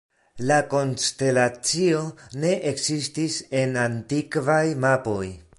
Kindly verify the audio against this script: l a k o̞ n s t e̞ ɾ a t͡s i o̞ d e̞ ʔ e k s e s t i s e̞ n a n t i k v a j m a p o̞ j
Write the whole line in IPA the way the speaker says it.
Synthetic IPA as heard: l a k o̞ n s t e̞ l a t͡s i o̞ n e̞ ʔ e k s i s t i s e̞ n a n t i k v a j m a p o̞ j

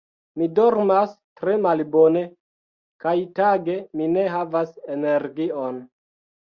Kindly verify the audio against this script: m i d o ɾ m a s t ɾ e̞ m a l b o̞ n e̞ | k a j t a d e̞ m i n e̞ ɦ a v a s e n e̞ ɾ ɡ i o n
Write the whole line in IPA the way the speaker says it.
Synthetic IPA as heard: m i d o ɾ m a s t ɾ e̞ m a l b o̞ n e̞ | k a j t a ɡ e̞ m i n e̞ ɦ a v a s e n e̞ ɾ ɡ i o n

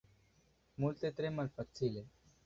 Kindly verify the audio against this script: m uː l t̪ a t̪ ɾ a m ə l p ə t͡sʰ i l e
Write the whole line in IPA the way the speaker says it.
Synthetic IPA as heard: m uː l t̪ e t̪ ɾ e m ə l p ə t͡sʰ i l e

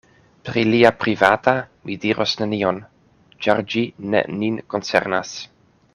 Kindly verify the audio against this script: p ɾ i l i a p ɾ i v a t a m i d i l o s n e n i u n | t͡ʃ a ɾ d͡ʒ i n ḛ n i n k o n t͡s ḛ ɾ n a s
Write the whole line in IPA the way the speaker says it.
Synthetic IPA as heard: p ɾ i l i a p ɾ i v a t a m i d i ɾ o s n e n i o n | t͡ʃ a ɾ d͡ʒ i n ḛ n i n k o n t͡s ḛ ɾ n a s

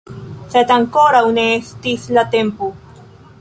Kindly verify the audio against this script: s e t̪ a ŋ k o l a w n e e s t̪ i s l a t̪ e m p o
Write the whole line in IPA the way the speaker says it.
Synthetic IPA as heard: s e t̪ a ŋ k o ɾ a w n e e s t̪ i s l a t̪ e m p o

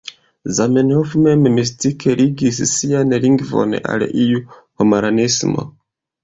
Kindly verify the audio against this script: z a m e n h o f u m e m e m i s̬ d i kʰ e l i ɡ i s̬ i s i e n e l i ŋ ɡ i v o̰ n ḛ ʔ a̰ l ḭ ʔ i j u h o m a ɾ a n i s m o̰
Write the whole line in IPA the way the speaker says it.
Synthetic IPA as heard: z a m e n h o f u m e m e m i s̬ t i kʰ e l i ɡ i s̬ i s i a n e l i ŋ ɡ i v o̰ n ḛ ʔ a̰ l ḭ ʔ i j u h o m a ɾ a n i s m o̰

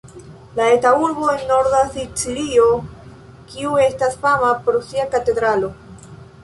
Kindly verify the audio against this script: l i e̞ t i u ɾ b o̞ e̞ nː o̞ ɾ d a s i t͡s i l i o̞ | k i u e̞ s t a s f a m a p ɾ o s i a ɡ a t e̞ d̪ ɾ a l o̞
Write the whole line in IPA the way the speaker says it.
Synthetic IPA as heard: l a e̞ t a u ɾ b o̞ e̞ nː o̞ ɾ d a s i t͡s i l i o̞ | k i u e̞ s t a s f a m a p ɾ o s i a k a t e̞ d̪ ɾ a l o̞

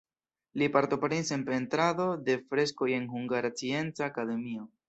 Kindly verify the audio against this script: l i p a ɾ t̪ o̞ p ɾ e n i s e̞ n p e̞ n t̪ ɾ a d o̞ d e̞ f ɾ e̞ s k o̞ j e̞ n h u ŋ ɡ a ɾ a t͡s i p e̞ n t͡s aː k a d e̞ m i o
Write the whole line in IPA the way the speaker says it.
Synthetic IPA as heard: l i p a ɾ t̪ o̞ p ɾ e n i s e̞ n p e̞ n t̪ ɾ a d o̞ d e̞ f ɾ e̞ s k o̞ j e̞ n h u ŋ ɡ a ɾ a t͡s i e̞ n t͡s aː k a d e̞ m i o

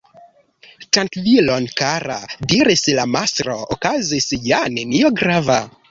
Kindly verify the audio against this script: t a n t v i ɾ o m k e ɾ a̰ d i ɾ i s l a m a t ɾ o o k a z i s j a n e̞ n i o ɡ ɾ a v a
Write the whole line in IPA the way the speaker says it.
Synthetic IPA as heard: t a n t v i l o n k a ɾ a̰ d i ɾ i s l a m a s ɾ o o k a z i s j a n e̞ n i o ɡ ɾ a v a

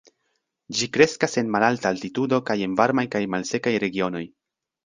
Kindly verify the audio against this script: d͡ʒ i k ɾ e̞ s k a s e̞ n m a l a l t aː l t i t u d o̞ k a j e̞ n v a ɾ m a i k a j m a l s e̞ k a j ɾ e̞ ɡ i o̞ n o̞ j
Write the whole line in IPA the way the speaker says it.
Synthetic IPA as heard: d͡ʒ i k ɾ e̞ s k a s e̞ n m a l a l t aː l t i t u d o̞ k a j e̞ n v a ɾ m a j k a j m a l s e̞ k a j ɾ e̞ ɡ i o̞ n o̞ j

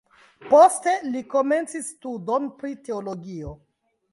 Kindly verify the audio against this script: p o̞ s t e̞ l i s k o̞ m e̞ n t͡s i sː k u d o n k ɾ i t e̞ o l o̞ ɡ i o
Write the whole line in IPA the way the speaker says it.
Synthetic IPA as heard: p o̞ s t e̞ l i k o̞ m e̞ n t͡s i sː t u d o n p ɾ i t e̞ o l o̞ ɡ i o

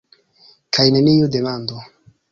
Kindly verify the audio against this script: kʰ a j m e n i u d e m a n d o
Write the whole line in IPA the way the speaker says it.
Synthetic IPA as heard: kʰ a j n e n i u d e m a n d o

